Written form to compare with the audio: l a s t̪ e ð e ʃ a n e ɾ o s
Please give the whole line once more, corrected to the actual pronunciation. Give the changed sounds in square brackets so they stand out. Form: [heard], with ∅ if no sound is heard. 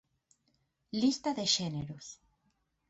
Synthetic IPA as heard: l [i] s t̪ [a] ð e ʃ [e] n e ɾ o s